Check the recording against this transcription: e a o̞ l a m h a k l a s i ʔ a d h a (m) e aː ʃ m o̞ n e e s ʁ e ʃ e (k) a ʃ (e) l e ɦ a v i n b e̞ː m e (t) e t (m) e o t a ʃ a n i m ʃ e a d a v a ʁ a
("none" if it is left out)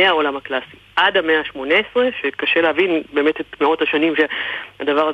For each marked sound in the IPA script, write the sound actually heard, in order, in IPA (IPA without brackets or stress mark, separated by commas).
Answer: m, k, e, t, m